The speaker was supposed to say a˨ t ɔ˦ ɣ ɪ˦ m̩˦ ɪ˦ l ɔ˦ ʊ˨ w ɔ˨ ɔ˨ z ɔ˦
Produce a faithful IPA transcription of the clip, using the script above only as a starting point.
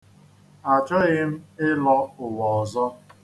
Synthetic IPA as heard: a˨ t͡ʃ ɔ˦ ɣ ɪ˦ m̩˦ ɪ˦ l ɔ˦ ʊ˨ w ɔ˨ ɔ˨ z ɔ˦